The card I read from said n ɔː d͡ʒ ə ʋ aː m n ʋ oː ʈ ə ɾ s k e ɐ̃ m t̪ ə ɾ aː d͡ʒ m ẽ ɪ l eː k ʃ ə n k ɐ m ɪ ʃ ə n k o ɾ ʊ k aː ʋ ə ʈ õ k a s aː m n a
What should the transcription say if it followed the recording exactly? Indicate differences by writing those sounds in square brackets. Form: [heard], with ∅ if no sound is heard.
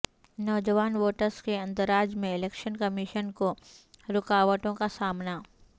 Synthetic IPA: n ɔː d͡ʒ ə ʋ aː [∅] n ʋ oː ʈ ə ɾ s k e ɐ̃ [n] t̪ ə ɾ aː d͡ʒ m ẽ ɪ l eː k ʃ ə n k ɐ m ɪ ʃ ə n k o ɾ ʊ k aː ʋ ə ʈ õ k a s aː m n a